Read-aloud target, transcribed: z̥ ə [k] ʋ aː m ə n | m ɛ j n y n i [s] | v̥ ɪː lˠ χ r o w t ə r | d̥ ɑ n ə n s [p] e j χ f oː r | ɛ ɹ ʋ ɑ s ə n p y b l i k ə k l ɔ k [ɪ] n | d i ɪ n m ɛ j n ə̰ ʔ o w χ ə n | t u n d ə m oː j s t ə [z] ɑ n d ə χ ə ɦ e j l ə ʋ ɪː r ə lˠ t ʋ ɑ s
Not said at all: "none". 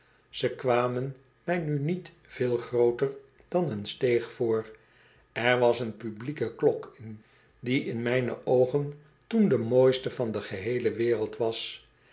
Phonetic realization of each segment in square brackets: k, t, t, ɪ, v

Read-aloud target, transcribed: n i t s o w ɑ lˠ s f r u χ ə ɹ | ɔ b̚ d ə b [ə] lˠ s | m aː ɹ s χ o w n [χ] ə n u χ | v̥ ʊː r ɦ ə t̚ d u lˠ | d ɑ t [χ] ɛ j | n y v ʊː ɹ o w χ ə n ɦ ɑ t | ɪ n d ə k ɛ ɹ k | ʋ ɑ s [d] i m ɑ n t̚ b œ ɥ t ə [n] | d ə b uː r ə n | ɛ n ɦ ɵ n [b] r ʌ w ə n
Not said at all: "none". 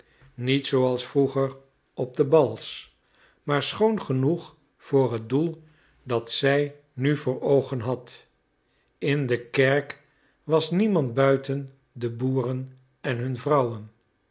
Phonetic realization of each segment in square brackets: ɑ, χ, s, n, n, v

